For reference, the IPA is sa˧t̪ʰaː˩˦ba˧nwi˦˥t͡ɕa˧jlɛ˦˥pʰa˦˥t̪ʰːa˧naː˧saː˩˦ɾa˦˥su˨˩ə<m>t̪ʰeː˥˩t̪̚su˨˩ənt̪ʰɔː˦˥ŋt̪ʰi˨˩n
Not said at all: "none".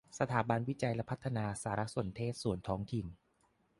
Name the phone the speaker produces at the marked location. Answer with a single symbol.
n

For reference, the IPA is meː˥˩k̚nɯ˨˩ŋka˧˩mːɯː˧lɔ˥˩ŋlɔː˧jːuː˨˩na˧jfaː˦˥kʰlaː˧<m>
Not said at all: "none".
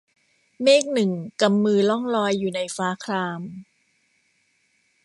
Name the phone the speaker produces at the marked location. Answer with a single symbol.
m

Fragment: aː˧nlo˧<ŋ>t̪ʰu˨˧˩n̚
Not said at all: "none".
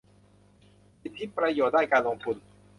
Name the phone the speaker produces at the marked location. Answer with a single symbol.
ŋ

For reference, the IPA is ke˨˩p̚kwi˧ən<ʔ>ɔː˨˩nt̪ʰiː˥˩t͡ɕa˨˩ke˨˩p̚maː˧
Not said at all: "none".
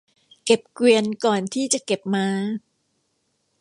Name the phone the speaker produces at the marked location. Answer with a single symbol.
k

